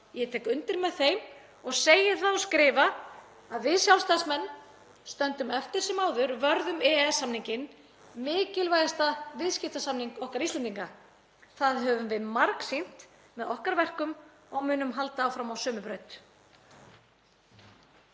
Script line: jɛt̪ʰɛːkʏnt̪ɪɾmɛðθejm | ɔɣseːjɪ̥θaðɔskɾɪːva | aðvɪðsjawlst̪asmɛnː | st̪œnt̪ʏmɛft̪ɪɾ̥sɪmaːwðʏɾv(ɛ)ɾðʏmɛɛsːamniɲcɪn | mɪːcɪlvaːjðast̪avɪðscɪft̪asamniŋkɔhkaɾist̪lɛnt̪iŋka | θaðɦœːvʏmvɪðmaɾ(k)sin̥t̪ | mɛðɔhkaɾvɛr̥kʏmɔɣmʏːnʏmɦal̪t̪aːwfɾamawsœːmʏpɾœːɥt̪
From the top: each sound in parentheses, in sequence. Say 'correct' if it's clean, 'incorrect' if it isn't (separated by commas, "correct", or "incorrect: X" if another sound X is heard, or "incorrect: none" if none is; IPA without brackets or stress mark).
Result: incorrect: œ, correct